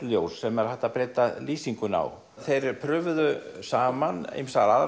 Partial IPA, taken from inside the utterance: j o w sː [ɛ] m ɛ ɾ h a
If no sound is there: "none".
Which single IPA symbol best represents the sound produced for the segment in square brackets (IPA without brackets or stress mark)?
ɛ